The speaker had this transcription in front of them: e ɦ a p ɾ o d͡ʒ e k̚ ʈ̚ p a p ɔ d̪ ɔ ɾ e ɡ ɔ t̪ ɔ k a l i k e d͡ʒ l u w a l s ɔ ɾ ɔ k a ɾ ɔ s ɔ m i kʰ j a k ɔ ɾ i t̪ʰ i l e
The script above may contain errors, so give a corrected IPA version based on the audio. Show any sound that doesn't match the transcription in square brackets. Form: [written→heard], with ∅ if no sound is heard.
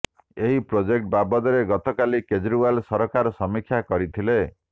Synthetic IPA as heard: e ɦ [a→i] p ɾ o d͡ʒ e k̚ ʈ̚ [p→b] a [p→b] ɔ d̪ ɔ ɾ e ɡ ɔ t̪ ɔ k a l i k e d͡ʒ [l→ɾ] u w a l s ɔ ɾ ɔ k a ɾ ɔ s ɔ m i kʰ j a k ɔ ɾ i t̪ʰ i l e